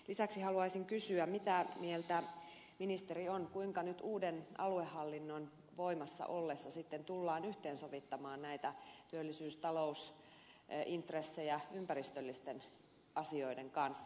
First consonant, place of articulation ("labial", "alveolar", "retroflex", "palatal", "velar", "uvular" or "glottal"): alveolar